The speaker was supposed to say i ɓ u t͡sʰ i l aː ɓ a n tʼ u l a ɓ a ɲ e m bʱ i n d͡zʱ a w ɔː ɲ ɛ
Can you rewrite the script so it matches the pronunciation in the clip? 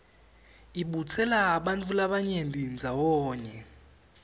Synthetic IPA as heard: i ɓ u t͡sʰ ɛ l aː ɓ a n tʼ u l a ɓ a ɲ e m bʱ i n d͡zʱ a w ɔː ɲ ɛ